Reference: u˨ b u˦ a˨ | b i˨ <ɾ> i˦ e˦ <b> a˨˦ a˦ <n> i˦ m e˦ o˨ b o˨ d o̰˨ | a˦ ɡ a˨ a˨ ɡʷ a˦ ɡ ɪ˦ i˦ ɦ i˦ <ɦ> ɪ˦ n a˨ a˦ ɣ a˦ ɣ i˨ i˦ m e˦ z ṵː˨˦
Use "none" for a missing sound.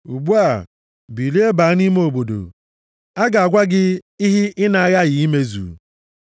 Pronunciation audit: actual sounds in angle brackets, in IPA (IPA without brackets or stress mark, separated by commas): l, b, n, none